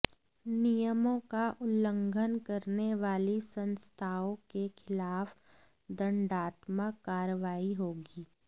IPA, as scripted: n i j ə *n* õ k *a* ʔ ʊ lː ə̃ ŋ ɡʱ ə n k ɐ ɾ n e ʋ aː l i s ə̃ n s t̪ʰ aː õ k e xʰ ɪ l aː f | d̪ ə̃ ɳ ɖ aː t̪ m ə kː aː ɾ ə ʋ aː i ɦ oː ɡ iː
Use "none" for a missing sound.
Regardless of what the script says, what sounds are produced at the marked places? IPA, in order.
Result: m, a

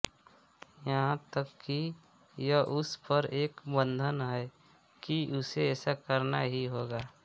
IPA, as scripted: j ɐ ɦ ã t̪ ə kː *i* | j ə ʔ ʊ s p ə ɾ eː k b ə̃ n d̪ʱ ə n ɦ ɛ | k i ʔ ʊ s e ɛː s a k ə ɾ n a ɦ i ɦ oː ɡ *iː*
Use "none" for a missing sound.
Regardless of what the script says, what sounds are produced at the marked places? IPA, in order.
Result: i, aː

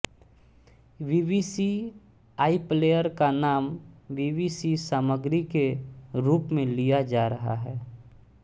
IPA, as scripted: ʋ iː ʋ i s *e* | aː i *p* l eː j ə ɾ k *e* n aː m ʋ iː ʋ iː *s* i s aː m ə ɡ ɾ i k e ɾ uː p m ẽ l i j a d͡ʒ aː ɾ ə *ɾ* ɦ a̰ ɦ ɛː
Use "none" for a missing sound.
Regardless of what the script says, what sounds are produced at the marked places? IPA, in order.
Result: i, p, a, s, none

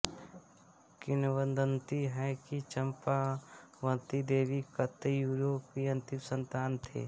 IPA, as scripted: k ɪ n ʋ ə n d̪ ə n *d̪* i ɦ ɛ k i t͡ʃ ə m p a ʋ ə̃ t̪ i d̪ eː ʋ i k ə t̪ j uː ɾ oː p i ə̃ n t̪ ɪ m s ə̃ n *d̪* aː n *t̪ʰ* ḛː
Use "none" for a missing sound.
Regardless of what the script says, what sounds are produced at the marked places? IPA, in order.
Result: t̪, t̪, t̪ʰ

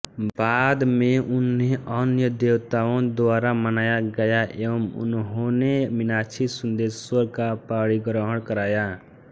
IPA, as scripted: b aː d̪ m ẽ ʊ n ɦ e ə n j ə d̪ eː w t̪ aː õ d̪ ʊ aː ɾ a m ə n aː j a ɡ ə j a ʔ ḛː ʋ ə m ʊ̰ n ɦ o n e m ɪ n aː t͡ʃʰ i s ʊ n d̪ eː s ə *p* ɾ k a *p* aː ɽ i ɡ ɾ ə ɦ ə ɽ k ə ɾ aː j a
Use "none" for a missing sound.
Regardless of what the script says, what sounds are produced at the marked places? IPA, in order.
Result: none, p

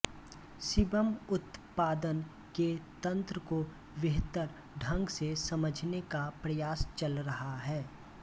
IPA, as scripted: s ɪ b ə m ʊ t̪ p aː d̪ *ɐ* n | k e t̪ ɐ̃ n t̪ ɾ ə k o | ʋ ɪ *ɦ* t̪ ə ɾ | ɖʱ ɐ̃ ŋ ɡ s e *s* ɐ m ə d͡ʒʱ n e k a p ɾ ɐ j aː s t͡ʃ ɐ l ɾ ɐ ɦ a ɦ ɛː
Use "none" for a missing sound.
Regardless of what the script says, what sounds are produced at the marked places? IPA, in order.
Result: ə, ɦ, s

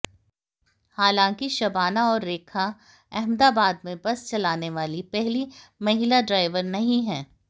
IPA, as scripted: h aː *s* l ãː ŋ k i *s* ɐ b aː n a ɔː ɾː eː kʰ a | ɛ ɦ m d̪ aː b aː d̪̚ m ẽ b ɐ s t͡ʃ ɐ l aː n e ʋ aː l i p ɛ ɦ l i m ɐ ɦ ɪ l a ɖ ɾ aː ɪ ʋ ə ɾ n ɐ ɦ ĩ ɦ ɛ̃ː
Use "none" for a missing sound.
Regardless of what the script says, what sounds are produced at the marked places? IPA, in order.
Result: none, ʃ

